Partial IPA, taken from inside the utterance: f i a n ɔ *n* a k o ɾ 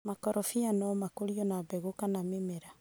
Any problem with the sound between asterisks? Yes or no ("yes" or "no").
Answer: yes